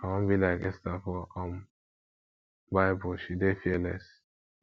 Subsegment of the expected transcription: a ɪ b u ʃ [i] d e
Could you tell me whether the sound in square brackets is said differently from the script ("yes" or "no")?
no